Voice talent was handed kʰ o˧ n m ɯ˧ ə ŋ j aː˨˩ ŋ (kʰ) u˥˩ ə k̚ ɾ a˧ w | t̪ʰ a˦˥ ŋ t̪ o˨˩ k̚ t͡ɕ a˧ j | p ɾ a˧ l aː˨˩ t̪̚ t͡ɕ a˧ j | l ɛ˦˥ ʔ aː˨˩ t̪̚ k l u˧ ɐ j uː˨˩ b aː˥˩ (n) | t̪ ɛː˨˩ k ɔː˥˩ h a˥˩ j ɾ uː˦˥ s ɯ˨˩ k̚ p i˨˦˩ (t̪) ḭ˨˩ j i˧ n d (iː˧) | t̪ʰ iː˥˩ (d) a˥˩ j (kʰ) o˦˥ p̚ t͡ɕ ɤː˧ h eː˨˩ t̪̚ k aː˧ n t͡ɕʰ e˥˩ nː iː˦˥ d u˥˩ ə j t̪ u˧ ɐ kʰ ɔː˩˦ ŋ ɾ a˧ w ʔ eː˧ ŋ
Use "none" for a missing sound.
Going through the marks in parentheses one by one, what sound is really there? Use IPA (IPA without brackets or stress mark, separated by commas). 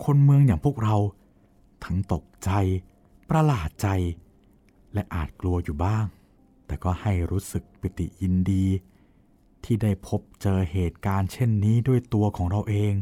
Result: pʰ, ŋ, t̪, iː˧, d, pʰ